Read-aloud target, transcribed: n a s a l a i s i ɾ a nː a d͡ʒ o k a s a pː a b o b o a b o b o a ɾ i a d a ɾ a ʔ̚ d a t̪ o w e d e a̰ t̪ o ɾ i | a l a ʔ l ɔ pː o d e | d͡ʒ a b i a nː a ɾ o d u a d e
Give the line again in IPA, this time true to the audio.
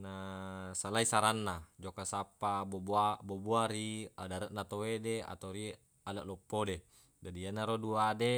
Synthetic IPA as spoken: n a s a l a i s a ɾ a nː a d͡ʒ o k a s a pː a b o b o a b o b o a ɾ i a d a ɾ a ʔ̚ n a t̪ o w e d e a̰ t̪ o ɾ i | a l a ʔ l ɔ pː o d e | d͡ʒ a d i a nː a ɾ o d u a d e